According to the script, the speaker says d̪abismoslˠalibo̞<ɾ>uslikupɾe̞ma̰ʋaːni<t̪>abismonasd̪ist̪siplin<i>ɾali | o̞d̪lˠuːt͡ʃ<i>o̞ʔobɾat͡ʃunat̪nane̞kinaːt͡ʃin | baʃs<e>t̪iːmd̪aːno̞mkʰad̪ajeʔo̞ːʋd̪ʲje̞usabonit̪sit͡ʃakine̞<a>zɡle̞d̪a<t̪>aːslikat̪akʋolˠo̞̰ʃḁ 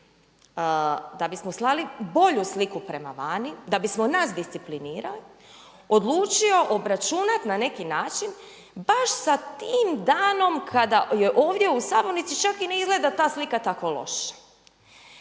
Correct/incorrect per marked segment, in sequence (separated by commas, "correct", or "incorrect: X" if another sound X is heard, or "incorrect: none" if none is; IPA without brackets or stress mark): incorrect: ʎ, incorrect: d̪, incorrect: iː, correct, incorrect: a, incorrect: i, correct